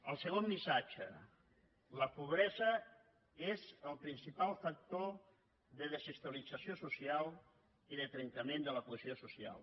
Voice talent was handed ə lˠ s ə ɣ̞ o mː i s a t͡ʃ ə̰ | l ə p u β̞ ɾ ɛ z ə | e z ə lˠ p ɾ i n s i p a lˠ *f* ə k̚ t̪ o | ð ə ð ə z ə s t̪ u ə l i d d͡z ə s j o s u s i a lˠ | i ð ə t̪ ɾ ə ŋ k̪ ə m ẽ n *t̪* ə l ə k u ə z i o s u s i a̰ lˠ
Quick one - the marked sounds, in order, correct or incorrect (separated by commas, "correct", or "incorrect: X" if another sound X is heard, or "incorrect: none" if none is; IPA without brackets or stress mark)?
correct, incorrect: d̪